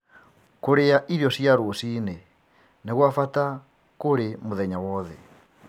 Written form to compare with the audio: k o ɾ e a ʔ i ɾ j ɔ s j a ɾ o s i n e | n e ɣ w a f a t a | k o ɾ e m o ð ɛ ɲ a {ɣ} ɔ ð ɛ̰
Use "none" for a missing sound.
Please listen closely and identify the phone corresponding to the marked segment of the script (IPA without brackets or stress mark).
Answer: w